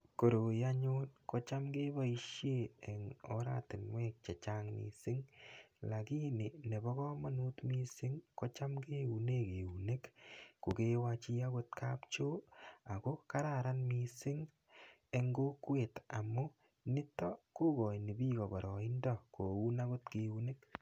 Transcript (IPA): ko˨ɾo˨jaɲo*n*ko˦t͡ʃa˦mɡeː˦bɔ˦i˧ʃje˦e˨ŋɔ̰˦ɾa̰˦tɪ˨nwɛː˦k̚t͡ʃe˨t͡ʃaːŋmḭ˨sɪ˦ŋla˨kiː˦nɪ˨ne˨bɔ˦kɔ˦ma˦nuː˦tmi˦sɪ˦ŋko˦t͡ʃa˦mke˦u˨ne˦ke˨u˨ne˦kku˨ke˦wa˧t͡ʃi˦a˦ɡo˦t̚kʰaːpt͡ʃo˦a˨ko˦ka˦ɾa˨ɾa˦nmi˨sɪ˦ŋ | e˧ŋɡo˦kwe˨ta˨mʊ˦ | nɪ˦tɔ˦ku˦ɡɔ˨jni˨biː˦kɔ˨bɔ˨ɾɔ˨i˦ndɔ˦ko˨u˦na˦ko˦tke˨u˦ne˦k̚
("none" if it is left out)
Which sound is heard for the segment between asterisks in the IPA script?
n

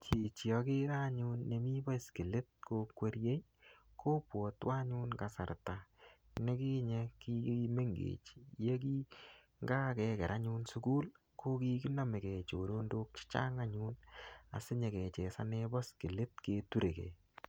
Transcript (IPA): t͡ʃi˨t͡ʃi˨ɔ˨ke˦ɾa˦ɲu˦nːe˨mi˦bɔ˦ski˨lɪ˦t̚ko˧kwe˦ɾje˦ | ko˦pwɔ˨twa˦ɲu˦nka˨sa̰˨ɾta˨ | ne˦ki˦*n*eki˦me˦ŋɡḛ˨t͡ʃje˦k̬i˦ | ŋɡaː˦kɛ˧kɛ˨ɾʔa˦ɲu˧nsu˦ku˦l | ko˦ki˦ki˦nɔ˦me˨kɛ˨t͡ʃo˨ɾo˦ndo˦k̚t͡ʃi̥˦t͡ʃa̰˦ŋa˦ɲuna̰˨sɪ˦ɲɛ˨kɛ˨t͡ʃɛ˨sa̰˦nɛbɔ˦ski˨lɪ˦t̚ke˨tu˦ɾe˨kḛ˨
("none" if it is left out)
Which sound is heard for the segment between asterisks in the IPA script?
ɲ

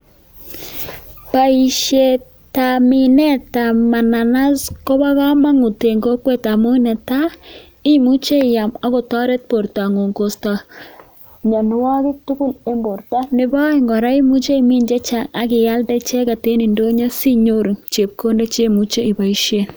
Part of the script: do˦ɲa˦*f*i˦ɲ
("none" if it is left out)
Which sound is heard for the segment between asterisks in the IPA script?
s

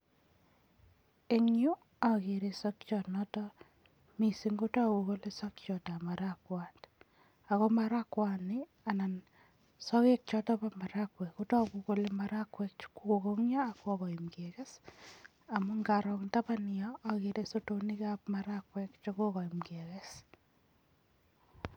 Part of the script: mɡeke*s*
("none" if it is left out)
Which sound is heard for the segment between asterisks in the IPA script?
s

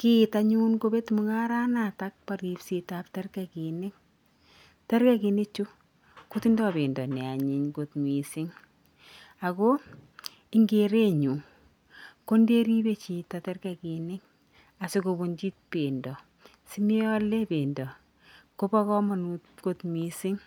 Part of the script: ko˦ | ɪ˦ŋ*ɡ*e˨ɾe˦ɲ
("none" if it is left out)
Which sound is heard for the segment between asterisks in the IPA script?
ɡ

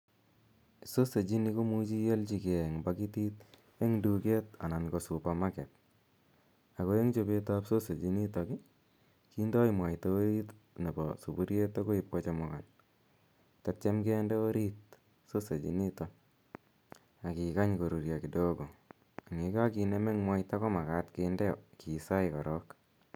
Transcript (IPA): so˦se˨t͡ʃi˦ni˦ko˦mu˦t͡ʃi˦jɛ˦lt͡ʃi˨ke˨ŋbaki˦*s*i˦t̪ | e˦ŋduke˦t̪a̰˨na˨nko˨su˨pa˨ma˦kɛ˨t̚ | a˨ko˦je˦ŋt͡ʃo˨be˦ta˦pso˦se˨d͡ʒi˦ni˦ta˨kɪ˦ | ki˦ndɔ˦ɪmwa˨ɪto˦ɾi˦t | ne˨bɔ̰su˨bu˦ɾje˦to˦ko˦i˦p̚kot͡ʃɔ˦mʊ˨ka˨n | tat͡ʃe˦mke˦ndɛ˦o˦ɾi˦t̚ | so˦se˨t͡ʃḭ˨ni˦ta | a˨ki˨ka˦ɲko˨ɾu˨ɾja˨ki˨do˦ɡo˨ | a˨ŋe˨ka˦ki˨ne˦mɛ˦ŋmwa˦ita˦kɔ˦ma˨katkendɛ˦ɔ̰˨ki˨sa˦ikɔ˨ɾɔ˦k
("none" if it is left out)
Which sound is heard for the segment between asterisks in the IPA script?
t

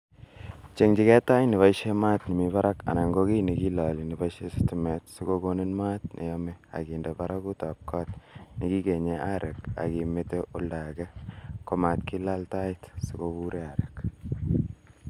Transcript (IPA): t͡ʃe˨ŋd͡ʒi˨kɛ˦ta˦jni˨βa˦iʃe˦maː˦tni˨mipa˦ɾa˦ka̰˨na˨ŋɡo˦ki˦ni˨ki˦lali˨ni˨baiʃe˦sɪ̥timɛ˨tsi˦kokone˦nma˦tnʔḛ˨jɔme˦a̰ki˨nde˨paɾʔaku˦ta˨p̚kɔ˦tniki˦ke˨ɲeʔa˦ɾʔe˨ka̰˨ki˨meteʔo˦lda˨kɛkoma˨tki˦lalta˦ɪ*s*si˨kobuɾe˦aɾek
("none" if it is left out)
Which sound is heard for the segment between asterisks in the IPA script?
t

